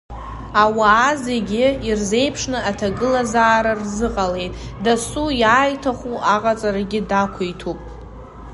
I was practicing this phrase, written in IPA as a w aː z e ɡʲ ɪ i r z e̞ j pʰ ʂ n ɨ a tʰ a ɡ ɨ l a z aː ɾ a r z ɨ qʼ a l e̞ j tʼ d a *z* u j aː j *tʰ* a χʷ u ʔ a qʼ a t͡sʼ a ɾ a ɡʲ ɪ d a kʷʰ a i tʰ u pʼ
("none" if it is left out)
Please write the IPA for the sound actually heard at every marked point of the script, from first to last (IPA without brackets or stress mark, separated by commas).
s, tʰ